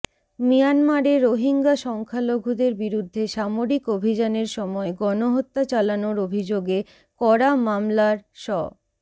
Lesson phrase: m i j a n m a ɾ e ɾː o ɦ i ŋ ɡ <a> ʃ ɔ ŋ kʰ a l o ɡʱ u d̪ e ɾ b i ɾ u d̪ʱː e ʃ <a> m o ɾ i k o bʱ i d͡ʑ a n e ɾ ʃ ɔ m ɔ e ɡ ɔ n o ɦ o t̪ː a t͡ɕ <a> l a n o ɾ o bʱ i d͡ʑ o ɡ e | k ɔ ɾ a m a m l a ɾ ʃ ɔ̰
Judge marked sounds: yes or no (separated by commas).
yes, yes, yes